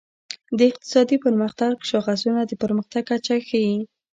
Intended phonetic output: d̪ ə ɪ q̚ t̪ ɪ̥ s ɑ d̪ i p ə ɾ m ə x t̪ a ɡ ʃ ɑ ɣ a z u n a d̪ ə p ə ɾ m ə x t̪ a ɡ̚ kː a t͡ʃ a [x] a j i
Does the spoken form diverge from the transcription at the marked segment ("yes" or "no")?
no